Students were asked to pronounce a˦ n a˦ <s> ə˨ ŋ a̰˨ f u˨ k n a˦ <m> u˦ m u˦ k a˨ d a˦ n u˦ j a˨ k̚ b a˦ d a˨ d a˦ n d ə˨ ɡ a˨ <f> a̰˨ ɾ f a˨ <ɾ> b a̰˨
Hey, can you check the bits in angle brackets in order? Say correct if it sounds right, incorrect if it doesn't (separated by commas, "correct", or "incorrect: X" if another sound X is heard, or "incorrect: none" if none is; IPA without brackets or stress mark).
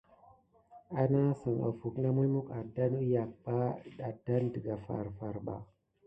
correct, correct, correct, correct